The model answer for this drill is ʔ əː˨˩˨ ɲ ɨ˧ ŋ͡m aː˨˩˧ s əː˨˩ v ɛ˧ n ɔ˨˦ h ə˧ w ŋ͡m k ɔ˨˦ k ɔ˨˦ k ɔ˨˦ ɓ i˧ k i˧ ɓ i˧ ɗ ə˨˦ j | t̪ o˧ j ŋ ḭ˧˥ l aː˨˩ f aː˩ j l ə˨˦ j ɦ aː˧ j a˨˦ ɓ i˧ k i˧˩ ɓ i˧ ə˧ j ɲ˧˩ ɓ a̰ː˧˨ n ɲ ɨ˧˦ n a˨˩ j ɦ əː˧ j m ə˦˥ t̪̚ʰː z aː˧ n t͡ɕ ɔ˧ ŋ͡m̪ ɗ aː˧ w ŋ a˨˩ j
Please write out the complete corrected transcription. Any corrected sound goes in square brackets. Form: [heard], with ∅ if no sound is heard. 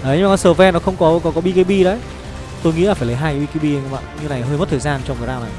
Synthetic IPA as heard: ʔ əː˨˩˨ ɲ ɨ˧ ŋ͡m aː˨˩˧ s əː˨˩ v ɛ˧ n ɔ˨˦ [x] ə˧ w ŋ͡m k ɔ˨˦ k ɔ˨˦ k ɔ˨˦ ɓ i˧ k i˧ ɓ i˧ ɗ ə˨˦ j | t̪ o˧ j ŋ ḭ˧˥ l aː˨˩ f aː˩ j l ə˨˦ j ɦ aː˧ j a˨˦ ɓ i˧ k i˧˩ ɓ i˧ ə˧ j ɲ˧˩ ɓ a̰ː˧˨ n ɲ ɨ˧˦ n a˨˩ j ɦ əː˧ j m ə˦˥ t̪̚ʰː z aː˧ n t͡ɕ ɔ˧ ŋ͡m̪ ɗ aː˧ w [n] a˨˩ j